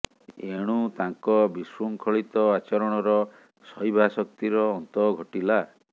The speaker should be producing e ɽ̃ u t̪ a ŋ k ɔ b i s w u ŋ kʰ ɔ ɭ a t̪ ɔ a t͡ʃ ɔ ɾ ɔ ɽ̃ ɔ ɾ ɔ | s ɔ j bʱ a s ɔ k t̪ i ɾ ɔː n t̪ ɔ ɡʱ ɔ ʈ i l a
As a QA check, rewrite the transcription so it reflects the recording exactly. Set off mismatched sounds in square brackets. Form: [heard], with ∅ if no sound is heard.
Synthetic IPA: e ɽ̃ u t̪ a ŋ k ɔ b i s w u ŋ kʰ ɔ ɭ [i] t̪ ɔ a t͡ʃ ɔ ɾ ɔ ɽ̃ ɔ ɾ ɔ | s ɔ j bʱ a s ɔ k t̪ i ɾ ɔː n t̪ ɔ ɡʱ ɔ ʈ i l a